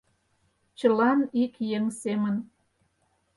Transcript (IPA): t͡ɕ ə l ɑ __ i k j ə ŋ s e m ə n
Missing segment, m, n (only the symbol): n